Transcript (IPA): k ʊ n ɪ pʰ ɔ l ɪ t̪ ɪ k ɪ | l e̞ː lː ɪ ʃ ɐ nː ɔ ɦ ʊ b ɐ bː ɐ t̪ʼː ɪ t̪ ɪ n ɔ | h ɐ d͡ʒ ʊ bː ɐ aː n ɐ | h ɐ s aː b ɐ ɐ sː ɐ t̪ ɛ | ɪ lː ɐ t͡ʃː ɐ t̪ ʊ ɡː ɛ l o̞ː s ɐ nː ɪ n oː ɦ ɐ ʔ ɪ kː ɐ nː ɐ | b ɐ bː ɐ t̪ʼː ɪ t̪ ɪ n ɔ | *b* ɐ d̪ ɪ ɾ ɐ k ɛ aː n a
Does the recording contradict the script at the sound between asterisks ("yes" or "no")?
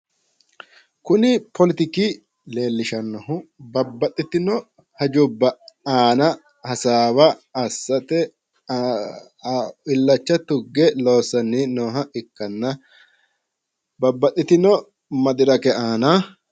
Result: yes